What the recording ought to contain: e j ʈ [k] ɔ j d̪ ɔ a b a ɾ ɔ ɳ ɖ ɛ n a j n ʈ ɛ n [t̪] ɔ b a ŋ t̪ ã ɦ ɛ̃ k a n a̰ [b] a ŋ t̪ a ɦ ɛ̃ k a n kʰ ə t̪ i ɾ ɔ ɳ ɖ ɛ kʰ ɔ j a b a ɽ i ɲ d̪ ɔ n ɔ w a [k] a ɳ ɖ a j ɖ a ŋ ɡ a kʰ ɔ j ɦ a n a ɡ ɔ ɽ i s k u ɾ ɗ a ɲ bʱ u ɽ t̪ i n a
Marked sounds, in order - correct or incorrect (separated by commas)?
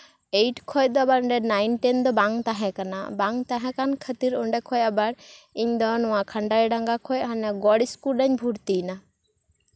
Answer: incorrect, incorrect, correct, incorrect